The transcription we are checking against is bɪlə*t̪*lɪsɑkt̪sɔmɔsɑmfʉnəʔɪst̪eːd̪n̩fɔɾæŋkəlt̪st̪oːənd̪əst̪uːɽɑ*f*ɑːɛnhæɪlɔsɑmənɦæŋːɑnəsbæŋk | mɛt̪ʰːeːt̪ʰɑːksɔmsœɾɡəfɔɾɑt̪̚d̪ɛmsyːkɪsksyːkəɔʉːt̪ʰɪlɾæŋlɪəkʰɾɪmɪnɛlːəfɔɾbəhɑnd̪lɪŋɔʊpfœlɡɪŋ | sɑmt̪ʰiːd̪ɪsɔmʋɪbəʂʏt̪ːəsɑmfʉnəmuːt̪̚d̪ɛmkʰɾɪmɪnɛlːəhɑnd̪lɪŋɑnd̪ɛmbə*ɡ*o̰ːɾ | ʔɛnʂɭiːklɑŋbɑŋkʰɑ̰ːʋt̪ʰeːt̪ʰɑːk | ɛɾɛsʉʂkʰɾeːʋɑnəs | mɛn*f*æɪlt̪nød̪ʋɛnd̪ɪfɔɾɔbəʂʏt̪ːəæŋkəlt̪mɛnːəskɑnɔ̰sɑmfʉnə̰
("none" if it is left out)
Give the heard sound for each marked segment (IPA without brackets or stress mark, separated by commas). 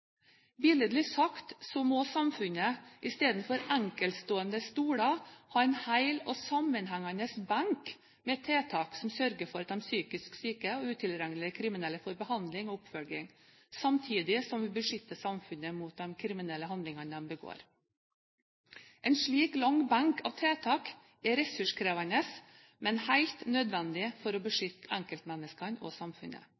d̪, h, ɡ, h